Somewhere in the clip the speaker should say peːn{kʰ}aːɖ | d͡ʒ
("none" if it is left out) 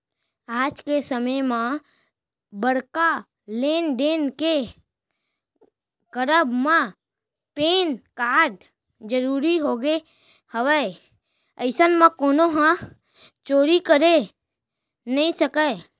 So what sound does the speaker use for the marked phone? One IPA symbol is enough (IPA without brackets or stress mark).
k